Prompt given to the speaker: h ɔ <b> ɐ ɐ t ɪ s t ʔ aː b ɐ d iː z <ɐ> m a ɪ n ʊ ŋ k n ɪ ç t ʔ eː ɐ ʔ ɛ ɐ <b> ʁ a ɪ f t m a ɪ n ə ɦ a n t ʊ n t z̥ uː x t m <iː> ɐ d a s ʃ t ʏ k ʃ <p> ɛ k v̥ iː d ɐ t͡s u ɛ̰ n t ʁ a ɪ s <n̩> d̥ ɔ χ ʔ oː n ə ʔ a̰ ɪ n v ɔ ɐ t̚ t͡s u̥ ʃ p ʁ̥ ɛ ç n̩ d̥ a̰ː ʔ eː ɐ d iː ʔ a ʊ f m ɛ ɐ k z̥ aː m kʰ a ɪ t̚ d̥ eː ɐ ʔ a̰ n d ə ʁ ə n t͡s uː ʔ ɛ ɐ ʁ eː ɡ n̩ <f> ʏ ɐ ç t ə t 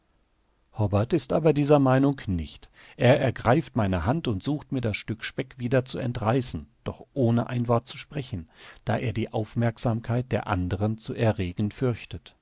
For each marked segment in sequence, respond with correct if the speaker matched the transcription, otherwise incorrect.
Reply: correct, correct, incorrect: ɡ, correct, correct, correct, correct

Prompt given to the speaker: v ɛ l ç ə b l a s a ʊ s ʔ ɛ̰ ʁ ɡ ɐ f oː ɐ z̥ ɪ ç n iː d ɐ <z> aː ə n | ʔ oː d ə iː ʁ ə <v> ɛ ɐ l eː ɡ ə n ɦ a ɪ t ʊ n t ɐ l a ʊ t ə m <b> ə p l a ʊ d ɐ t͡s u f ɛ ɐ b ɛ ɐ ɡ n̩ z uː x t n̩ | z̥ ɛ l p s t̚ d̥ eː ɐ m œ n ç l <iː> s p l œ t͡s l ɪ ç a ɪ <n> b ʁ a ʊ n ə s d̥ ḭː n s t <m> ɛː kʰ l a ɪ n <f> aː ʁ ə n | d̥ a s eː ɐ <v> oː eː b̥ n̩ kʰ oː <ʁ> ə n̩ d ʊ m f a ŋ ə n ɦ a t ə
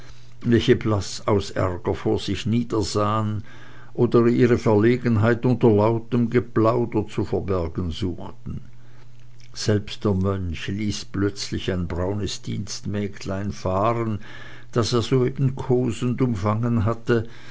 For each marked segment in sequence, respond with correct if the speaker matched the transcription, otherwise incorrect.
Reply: correct, incorrect: f, incorrect: ɡ, correct, correct, correct, correct, incorrect: z, incorrect: z

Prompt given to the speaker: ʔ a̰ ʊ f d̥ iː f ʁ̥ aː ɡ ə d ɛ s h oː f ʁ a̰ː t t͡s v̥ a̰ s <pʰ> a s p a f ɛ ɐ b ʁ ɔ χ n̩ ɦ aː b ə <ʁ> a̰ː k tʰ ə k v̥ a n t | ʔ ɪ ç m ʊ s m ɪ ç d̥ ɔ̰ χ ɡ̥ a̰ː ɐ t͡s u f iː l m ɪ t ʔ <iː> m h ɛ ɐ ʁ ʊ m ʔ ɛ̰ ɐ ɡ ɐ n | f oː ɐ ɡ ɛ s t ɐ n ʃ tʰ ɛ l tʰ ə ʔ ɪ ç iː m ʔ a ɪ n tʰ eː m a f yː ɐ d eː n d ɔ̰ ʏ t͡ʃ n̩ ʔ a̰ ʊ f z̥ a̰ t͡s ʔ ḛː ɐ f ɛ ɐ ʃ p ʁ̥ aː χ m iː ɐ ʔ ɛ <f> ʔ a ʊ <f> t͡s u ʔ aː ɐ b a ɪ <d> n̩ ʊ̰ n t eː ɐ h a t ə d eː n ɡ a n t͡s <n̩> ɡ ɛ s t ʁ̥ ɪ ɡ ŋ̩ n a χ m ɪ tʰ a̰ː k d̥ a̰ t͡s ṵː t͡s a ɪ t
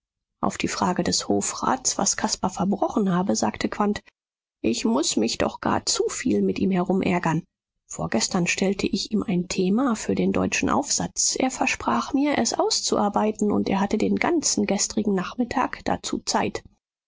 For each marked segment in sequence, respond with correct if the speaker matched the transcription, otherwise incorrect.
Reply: incorrect: kʰ, incorrect: z, correct, incorrect: s, incorrect: s, incorrect: t, correct

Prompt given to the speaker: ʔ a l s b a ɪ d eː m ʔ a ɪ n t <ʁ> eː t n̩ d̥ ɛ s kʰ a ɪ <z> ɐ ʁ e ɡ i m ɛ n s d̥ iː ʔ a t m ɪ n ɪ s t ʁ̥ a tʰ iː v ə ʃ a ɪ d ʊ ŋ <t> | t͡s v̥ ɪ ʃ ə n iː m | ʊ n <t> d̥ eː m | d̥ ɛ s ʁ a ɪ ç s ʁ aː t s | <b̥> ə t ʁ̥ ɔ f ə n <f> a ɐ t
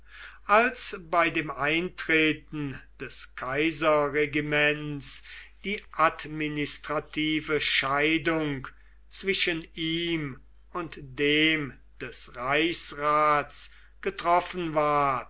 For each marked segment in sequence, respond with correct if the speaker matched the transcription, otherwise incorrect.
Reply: correct, correct, incorrect: k, correct, incorrect: ɡ̥, incorrect: v

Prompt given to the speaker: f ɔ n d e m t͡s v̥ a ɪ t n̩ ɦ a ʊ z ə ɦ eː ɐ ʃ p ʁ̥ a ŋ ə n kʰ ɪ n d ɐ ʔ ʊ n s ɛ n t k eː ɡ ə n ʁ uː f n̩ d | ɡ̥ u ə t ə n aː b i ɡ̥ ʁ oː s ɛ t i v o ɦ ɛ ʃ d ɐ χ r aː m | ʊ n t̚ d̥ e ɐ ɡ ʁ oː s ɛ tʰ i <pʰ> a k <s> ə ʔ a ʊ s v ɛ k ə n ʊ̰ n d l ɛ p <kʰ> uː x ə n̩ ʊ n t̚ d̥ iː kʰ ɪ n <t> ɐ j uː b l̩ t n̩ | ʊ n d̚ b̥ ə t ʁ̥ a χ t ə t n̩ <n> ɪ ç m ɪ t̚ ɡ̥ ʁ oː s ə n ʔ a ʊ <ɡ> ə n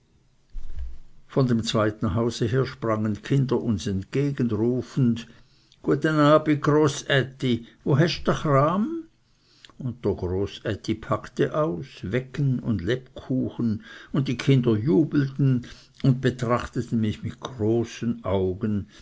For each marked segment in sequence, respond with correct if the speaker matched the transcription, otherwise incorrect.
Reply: correct, incorrect: t, correct, incorrect: d, incorrect: m, correct

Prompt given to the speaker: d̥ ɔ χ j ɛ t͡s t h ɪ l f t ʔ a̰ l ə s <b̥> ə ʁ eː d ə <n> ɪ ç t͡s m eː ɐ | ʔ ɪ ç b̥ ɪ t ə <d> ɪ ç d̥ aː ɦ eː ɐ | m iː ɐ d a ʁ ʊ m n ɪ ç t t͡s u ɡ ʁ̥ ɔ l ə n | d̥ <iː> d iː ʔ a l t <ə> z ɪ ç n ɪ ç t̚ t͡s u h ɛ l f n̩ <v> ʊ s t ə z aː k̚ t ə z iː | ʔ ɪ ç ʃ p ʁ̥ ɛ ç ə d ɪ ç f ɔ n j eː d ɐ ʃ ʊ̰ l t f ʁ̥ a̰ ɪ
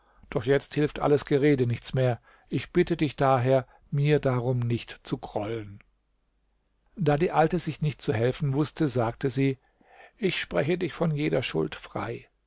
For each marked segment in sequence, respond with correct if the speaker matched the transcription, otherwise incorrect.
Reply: incorrect: ɡ̥, correct, correct, incorrect: aː, correct, correct

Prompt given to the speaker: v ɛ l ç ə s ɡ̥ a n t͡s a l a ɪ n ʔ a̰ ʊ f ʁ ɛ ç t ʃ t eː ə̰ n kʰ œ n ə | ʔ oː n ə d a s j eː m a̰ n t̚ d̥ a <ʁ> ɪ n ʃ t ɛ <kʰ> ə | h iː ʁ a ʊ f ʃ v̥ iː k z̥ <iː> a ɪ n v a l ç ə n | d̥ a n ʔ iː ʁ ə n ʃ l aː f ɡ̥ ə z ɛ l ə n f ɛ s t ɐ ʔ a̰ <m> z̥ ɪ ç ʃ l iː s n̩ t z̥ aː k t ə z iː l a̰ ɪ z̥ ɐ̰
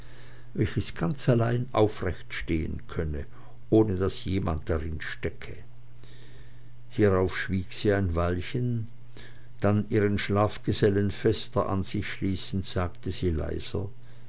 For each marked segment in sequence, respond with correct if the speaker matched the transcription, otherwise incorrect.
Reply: correct, correct, correct, incorrect: n

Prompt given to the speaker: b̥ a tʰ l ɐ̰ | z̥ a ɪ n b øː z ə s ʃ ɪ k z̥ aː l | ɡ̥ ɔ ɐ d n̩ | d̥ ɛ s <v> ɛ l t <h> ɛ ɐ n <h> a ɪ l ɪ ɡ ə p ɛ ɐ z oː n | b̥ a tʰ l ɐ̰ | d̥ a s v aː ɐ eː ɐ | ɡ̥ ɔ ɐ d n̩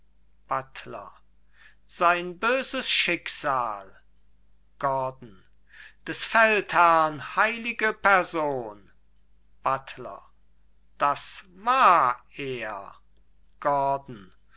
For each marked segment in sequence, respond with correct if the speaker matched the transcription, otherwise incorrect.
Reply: incorrect: f, correct, correct

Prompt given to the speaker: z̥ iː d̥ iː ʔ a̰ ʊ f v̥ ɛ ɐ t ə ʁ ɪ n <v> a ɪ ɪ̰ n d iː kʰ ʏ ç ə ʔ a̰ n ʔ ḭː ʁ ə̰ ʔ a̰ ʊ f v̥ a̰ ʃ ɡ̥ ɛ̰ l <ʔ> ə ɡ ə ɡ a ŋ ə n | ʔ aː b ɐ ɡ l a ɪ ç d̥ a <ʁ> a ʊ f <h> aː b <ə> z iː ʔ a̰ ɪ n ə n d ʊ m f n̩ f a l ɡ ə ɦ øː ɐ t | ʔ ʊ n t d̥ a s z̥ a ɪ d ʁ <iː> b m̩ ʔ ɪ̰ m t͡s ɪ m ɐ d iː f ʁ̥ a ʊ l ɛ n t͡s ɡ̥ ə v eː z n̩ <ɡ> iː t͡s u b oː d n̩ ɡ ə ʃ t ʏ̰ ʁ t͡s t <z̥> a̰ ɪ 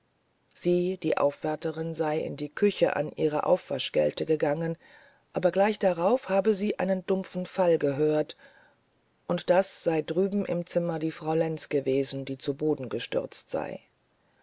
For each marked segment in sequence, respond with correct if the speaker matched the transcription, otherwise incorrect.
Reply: incorrect: z, incorrect: t, correct, correct, correct, incorrect: yː, incorrect: d, correct

